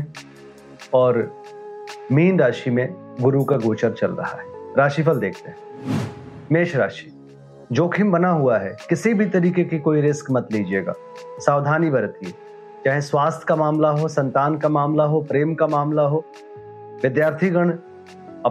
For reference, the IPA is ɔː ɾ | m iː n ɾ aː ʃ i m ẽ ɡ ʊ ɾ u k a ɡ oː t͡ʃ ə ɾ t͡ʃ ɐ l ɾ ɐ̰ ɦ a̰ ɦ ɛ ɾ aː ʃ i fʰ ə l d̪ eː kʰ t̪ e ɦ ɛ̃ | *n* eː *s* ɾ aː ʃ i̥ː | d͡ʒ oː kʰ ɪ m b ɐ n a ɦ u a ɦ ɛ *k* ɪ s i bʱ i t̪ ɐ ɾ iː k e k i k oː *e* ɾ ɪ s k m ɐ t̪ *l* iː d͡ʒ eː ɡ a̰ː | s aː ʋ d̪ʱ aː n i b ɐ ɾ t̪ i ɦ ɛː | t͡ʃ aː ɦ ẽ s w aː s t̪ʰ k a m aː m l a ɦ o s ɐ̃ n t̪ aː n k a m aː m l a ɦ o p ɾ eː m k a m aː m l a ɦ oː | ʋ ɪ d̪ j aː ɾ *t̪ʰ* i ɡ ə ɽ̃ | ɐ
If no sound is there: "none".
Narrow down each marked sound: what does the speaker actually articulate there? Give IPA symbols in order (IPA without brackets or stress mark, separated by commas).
m, ʃ, k, i, l, t̪ʰ